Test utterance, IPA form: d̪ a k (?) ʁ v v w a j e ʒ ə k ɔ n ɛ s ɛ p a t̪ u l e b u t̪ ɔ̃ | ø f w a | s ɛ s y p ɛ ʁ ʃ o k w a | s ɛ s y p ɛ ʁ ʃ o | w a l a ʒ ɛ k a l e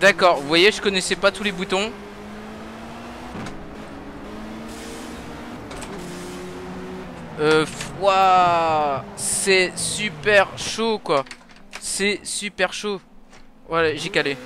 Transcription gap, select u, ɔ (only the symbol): ɔ